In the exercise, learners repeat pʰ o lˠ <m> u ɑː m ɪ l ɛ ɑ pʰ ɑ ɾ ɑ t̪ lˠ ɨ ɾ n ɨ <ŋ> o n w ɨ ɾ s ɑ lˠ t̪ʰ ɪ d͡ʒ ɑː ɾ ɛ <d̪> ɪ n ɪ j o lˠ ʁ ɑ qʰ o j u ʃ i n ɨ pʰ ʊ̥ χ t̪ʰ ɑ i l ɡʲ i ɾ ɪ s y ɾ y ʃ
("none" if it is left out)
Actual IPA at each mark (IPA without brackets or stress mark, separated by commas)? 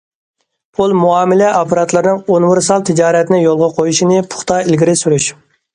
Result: m, ŋ, t̪